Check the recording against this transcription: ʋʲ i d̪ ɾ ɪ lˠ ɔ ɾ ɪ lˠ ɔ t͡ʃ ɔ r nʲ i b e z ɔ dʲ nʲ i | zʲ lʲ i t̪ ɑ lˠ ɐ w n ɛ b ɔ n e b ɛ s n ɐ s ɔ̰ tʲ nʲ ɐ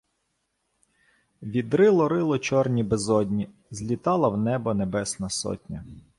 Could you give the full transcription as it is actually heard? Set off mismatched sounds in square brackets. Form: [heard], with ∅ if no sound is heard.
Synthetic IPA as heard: ʋʲ i d̪ ɾ ɪ lˠ ɔ ɾ ɪ lˠ ɔ t͡ʃ ɔ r nʲ i b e z ɔ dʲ nʲ i | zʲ lʲ i t̪ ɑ lˠ ɐ w n ɛ b ɔ n e b ɛ s n ɐ s ɔ̰ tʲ nʲ ɐ